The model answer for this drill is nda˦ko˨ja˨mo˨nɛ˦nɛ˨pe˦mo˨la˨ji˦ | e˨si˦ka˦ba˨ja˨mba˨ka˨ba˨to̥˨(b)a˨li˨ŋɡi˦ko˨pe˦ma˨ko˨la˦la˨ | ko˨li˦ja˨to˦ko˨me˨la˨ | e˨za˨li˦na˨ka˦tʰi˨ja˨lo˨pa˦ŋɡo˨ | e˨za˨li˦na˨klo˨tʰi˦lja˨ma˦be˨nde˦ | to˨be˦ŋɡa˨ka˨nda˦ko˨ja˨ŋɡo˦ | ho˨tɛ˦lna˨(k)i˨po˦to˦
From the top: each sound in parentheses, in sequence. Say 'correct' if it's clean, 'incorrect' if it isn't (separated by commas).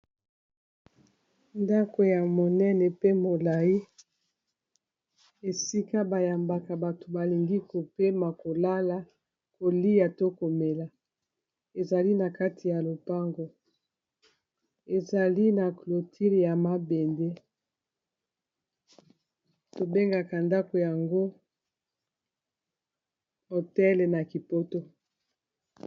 correct, correct